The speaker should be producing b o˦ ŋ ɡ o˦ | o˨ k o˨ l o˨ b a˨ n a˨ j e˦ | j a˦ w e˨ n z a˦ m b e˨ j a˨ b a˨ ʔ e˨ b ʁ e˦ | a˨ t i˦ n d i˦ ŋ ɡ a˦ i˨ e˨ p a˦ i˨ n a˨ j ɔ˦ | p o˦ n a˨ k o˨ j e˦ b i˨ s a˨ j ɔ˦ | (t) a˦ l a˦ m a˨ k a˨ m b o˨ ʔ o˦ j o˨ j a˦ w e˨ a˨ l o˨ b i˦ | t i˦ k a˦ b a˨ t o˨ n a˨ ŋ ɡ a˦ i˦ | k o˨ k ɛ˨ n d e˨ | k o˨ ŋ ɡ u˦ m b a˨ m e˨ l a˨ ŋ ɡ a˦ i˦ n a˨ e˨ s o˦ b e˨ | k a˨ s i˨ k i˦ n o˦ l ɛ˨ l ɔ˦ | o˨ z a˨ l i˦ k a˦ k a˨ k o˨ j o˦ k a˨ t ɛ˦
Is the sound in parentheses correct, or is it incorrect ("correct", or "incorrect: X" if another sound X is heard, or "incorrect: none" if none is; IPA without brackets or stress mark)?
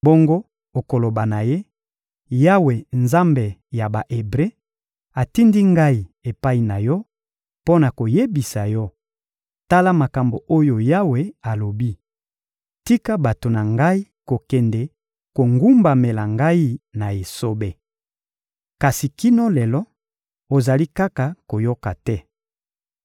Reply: correct